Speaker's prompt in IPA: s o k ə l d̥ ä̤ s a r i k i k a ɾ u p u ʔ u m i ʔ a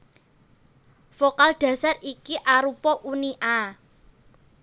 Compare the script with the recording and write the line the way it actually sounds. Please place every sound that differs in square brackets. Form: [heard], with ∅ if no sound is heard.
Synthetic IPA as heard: [f] o k [a] l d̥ ä̤ s a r i k i [ʔ] a ɾ u p [ɔ] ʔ u [n] i ʔ a